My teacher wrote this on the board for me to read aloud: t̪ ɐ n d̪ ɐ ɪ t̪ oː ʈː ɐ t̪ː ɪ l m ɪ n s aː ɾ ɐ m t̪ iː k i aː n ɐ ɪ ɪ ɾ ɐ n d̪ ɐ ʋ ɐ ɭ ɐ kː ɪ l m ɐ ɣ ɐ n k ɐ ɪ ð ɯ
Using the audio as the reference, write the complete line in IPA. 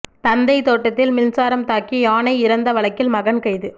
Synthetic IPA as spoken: t̪ ɐ n d̪ ɐ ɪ t̪ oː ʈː ɐ t̪ː ɪ l m ɪ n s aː ɾ ɐ m t̪ aː k i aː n ɐ ɪ ɪ ɾ ɐ n d̪ ɐ ʋ ɐ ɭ ɐ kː ɪ l m ɐ ɣ ɐ n k ɐ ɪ ð ɯ